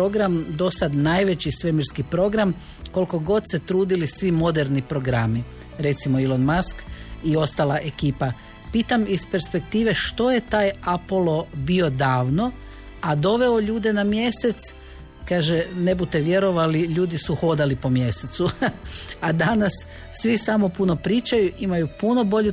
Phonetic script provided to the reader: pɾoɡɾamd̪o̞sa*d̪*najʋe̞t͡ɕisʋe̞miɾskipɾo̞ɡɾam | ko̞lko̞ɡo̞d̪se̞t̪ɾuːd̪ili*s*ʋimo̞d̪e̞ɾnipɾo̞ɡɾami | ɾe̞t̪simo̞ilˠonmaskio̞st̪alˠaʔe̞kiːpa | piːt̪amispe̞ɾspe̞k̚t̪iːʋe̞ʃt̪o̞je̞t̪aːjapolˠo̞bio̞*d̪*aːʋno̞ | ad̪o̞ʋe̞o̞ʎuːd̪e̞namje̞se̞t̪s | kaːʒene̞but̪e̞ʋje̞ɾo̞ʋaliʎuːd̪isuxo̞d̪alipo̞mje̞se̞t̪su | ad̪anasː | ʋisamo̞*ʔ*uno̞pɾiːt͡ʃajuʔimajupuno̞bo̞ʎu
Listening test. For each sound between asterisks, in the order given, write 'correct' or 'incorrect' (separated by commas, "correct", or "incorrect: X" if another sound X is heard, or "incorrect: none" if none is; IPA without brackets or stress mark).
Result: correct, correct, correct, incorrect: p